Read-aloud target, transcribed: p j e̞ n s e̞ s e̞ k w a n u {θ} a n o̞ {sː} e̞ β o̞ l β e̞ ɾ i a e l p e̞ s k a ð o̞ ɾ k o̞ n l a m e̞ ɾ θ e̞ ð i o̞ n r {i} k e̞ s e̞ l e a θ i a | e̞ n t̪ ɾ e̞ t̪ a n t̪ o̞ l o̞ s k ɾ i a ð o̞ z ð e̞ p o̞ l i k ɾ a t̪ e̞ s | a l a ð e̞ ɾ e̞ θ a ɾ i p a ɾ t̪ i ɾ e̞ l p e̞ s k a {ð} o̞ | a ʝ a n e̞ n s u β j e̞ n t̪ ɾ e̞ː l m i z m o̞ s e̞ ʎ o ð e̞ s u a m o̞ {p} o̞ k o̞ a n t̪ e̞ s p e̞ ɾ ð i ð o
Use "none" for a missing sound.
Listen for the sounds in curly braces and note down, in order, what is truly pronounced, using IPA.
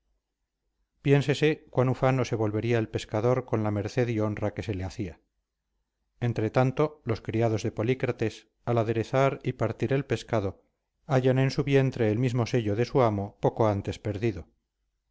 f, s, a, ð, p

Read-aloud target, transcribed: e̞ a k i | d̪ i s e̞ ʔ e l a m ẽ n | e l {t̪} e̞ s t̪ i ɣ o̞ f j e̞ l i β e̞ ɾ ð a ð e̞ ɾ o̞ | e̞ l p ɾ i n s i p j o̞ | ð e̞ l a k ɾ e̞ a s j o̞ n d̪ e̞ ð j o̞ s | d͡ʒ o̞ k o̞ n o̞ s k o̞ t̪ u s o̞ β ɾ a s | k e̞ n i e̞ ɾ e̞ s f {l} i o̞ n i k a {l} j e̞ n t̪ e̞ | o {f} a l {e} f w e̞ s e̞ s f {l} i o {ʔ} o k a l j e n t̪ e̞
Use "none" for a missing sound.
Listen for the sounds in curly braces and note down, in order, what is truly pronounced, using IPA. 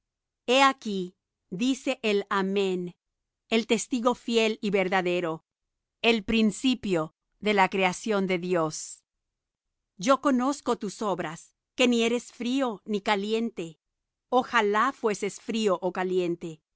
t̪, ɾ, l, x, a, ɾ, ʔ

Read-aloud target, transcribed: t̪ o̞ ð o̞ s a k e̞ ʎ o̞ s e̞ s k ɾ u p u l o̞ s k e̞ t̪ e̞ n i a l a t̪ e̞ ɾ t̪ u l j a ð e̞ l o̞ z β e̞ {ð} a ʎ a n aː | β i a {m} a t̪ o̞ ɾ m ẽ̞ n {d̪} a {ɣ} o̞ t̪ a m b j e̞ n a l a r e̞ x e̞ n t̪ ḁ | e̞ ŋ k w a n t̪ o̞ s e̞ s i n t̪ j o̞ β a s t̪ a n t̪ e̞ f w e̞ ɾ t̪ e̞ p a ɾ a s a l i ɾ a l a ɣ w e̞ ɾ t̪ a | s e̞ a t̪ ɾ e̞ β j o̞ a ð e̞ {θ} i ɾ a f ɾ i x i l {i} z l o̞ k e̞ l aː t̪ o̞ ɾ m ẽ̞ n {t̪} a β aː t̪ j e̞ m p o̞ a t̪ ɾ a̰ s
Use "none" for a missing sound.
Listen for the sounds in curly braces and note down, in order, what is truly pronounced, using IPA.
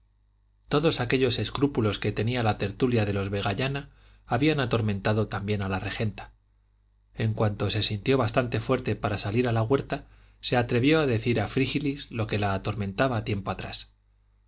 ɣ, n, t̪, ð, θ, i, t̪

